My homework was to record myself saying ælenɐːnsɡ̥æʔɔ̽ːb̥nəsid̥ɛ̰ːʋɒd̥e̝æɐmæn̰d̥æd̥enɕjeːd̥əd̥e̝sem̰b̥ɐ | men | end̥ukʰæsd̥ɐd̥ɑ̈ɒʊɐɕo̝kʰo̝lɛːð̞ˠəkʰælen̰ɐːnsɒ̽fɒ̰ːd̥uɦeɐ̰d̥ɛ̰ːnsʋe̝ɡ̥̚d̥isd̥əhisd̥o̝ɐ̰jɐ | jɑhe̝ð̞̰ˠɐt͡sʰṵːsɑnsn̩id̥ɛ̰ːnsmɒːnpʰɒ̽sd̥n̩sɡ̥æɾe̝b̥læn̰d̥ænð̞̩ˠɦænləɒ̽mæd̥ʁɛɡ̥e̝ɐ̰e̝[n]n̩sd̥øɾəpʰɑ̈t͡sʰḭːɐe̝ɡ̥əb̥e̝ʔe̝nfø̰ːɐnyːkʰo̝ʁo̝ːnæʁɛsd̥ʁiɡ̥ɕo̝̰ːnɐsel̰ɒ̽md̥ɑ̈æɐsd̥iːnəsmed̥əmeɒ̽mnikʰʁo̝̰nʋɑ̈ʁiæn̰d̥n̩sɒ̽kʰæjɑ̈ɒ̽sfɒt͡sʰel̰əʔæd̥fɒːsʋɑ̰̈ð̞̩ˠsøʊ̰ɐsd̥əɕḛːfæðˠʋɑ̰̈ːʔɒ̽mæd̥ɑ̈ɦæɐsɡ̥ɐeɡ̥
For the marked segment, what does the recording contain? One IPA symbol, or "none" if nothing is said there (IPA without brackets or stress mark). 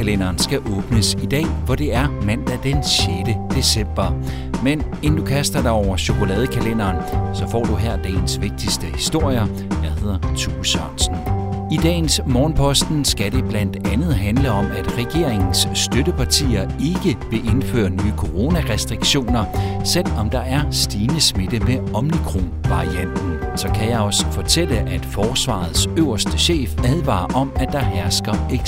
ŋ